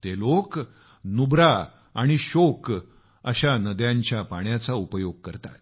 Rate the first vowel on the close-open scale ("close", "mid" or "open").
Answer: mid